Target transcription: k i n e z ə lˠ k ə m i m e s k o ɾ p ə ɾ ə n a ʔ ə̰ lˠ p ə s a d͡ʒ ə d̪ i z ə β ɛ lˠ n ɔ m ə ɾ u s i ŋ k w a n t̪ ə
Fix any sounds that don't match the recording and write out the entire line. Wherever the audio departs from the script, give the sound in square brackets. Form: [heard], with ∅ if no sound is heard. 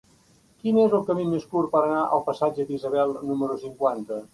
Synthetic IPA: k i n e z ə lˠ k ə m i m e s k [u] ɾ p ə ɾ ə n a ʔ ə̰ lˠ p ə s a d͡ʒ ə d̪ i z ə β ɛ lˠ n [u] m ə ɾ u s i ŋ k w a n t̪ ə